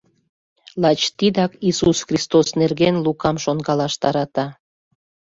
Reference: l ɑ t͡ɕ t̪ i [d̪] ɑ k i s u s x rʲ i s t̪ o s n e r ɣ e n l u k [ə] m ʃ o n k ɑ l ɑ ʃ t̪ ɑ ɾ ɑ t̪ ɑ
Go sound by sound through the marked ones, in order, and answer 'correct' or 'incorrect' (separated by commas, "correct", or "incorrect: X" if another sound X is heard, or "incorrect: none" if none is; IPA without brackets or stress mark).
correct, incorrect: ɑ